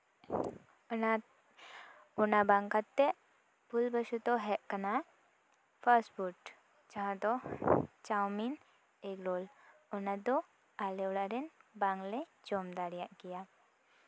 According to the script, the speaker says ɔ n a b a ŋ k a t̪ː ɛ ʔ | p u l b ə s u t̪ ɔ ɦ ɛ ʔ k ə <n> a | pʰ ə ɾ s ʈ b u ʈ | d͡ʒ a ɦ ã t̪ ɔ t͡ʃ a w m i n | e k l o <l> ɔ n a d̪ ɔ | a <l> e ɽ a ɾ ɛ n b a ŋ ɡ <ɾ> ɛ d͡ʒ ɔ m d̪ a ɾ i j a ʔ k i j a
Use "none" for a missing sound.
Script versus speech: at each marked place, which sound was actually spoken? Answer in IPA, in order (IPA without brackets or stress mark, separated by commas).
n, l, l, l